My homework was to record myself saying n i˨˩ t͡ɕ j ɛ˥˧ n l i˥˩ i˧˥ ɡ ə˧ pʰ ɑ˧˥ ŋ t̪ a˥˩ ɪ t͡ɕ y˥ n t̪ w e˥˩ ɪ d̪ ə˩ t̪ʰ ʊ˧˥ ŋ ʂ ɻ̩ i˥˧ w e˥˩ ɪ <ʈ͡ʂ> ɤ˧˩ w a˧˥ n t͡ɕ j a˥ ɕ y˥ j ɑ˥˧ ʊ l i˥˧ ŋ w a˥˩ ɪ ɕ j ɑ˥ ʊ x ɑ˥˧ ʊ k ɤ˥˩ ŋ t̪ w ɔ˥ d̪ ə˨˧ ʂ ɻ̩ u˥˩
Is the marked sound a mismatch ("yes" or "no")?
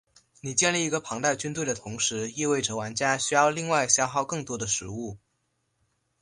no